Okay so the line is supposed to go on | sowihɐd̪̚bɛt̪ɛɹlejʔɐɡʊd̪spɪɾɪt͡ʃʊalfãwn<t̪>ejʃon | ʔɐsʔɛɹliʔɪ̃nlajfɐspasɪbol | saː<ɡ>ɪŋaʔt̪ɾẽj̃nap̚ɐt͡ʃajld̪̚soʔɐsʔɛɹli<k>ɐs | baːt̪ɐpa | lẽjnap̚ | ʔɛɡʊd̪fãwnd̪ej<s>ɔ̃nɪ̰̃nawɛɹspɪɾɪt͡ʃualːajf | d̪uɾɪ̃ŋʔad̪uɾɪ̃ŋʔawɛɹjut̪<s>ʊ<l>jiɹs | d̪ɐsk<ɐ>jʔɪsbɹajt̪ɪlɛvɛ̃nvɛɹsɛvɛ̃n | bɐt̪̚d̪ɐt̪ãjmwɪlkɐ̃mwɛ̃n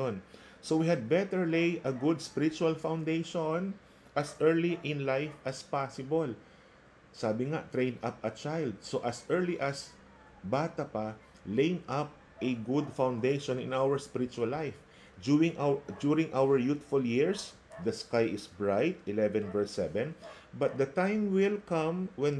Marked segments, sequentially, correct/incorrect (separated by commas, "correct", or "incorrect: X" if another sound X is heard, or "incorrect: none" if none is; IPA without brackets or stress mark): incorrect: d̪, incorrect: b, incorrect: ʔ, incorrect: ʃ, incorrect: f, correct, incorrect: a